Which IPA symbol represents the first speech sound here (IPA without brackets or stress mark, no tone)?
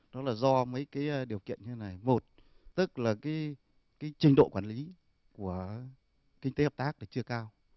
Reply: ɗ